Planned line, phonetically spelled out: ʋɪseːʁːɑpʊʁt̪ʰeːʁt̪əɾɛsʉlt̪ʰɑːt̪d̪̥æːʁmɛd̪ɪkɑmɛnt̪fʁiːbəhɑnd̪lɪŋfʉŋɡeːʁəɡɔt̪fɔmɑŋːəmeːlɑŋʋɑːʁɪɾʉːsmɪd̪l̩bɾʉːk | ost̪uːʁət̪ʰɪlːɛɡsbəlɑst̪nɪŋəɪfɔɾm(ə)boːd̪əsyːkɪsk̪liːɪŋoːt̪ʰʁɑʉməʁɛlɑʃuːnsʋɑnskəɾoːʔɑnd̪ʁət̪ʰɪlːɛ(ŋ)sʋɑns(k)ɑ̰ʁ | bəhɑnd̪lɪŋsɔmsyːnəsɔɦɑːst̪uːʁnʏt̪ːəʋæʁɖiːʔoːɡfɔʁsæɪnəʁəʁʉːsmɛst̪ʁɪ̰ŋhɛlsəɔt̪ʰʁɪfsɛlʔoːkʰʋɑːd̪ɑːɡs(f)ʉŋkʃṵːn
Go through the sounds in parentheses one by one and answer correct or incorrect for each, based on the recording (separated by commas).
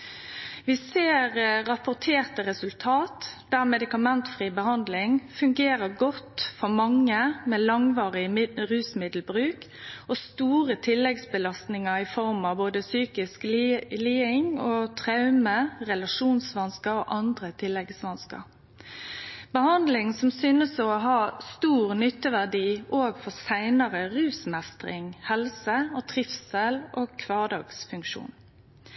incorrect, incorrect, correct, correct